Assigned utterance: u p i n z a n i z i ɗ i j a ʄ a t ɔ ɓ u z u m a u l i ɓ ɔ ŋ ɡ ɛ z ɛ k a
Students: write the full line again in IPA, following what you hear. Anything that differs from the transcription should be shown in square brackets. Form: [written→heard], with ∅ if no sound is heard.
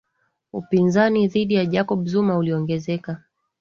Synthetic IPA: u p i n z a n i [z→ð] i ɗ i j a ʄ a [t→k] ɔ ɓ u z u m a u l i [ɓ→∅] ɔ ŋ ɡ ɛ z ɛ k a

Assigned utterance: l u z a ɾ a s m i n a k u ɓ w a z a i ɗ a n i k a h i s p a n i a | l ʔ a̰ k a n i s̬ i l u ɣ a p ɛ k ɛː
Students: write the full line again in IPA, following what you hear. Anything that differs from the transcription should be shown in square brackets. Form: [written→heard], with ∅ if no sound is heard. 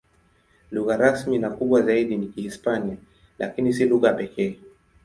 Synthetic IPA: l u [z→ɣ] a ɾ a s m i n a k u ɓ w a z a i ɗ [a→i] n i k [a→i] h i s p a n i a | l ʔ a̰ k [a→i] n i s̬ i l u ɣ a p ɛ k ɛː

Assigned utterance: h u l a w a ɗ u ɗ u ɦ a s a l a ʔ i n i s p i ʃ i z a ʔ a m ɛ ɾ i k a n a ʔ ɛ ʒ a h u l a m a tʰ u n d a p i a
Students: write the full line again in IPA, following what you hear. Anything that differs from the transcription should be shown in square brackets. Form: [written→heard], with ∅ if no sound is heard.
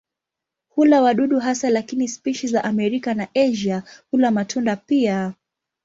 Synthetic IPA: h u l a w a ɗ u ɗ u ɦ a s a l a [ʔ→k] i n i s p i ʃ i z a ʔ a m ɛ ɾ i k a n a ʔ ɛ ʒ a h u l a m a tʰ u n d a p i a

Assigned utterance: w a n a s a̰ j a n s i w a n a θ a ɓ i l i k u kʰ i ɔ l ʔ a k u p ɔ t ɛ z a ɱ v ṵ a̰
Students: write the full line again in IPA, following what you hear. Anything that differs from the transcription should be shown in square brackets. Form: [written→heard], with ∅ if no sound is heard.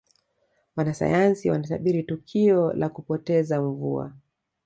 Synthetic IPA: w a n a s a̰ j a n s i w a n a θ a ɓ i [l→ɾ] i [k→t] u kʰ i ɔ l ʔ a k u p ɔ t ɛ z a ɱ v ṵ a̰

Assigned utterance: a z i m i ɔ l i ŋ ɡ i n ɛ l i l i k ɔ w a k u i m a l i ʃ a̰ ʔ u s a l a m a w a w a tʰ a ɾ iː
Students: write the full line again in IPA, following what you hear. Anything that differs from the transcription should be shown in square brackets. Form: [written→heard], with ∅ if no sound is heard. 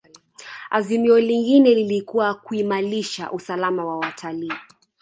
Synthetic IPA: a z i m i ɔ l i ŋ ɡ i n ɛ l i l i k [ɔ→u] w a k u i m a l i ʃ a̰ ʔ u s a l a m a w a w a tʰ a [ɾ→l] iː

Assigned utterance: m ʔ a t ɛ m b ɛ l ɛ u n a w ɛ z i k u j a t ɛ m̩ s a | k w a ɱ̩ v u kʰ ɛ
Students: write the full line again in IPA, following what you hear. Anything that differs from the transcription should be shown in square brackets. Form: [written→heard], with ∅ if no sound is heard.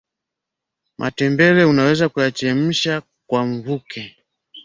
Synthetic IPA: m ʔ a t ɛ m b ɛ l ɛ u n a w ɛ z [i→a] k u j a [t→t͡ʃ] ɛ m̩ [s→ʃ] a | k w a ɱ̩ v u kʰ ɛ

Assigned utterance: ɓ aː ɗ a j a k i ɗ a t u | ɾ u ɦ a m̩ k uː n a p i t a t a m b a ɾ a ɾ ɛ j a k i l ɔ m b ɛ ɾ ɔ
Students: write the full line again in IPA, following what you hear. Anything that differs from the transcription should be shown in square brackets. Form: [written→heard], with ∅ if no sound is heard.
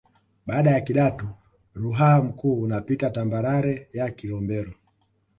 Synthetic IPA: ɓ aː ɗ a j a k i ɗ a t u | ɾ u ɦ a m̩ k uː n a p i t a t a m b a ɾ a ɾ ɛ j a k i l ɔ m b ɛ ɾ ɔ

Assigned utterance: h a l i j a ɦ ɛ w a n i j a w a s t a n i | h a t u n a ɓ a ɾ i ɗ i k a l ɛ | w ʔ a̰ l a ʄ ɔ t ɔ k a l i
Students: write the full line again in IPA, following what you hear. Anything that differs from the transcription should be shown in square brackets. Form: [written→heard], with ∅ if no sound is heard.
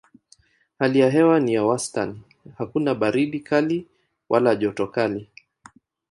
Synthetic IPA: h a l i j a ɦ ɛ w a n i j a w a s t a n i | h a [t→k] u n a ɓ a ɾ i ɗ i k a l [ɛ→i] | w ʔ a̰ l a ʄ ɔ t ɔ k a l i

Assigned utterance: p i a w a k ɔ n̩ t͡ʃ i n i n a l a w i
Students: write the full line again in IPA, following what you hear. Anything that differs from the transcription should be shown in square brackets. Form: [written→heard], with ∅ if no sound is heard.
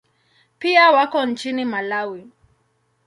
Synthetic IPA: p i a w a k ɔ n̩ t͡ʃ i n i [n→m] a l a w i

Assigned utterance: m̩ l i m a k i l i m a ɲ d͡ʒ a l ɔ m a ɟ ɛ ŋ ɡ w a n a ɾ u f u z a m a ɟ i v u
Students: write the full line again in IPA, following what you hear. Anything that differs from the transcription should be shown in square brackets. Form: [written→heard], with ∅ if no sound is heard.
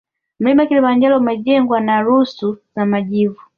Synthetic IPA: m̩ l i m a k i l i m a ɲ d͡ʒ a l ɔ m a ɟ ɛ ŋ ɡ w a n a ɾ u [f→s] u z a m a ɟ i v u

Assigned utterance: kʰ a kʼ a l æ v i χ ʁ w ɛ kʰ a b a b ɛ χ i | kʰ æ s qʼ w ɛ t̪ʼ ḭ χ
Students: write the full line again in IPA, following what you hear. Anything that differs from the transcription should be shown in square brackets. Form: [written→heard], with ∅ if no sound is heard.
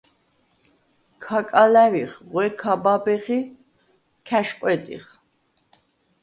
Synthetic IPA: kʰ a kʼ a l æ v i χ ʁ w ɛ kʰ a b a b ɛ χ i | kʰ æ [s→ʃ] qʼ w ɛ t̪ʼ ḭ χ

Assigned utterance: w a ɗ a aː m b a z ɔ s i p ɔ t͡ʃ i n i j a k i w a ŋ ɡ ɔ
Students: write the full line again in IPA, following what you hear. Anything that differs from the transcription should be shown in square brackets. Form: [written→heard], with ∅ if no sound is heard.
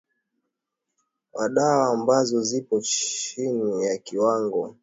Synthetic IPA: w a ɗ a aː m b a z ɔ [s→z] i p ɔ t͡ʃ i n i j a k i w a ŋ ɡ ɔ

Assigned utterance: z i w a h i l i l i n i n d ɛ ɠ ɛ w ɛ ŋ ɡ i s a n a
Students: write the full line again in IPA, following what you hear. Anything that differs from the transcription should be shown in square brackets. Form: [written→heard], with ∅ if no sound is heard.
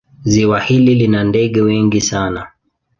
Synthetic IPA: z i w a h i l i l i n [i→a] n d ɛ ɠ ɛ w ɛ ŋ ɡ i s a n a

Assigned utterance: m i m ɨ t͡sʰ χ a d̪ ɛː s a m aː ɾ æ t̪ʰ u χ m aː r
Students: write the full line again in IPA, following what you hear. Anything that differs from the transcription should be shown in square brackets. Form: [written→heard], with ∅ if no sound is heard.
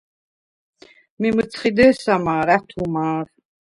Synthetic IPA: m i m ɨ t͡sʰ χ [a→i] d̪ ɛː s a m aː ɾ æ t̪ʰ u [χ→∅] m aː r

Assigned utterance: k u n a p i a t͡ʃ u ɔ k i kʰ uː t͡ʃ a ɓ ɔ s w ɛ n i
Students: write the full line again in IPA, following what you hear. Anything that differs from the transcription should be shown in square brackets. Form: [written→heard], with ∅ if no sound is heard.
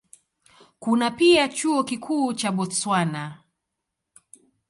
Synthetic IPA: k u n a p i a t͡ʃ u ɔ k i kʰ uː t͡ʃ a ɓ ɔ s w [ɛ→a] n [i→a]

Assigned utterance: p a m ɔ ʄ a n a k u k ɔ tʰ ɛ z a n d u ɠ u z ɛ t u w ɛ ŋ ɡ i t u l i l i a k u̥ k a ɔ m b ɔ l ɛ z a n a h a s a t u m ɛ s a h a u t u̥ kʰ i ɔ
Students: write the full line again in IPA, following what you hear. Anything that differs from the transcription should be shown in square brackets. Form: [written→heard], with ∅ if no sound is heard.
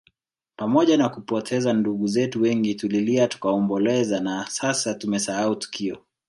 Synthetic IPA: p a m ɔ ʄ a n a k u [k→p] ɔ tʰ ɛ z a n d u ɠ u z ɛ t u w ɛ ŋ ɡ i t u l i l i a [k→t] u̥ k a ɔ m b ɔ l ɛ z a n a [h→s] a s a t u m ɛ s a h a u t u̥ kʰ i ɔ

